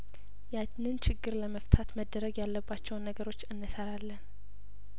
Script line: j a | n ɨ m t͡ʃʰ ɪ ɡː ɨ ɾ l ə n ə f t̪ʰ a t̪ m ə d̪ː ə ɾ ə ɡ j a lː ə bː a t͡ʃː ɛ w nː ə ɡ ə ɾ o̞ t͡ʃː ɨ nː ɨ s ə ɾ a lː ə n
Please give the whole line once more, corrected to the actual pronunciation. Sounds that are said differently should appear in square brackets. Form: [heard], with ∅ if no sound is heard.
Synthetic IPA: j a | n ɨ [n] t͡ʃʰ ɪ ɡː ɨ ɾ l ə [m] ə f t̪ʰ a t̪ m ə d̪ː ə ɾ ə ɡ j a lː ə bː a t͡ʃː ɛ w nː ə ɡ ə ɾ o̞ t͡ʃː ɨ nː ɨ s ə ɾ a lː ə n